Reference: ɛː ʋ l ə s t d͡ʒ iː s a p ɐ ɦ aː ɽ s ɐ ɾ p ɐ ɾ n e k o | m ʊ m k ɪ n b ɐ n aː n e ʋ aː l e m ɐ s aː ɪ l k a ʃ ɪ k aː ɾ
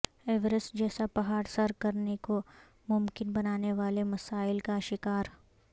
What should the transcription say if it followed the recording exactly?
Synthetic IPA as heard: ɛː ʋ ɾ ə s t d͡ʒ ɛː s a p ɐ ɦ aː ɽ s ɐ ɾ k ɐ ɾ n e k o | m ʊ m k ɪ n b ɐ n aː n e ʋ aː l e m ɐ s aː ɪ l k a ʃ ɪ k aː ɾ